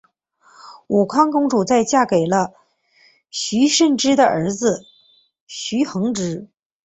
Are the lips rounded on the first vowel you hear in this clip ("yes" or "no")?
yes